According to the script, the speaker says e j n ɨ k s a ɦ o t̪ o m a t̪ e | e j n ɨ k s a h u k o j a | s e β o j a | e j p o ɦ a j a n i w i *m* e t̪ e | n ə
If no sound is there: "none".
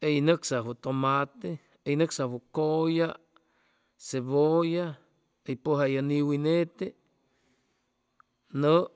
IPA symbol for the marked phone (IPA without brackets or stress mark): n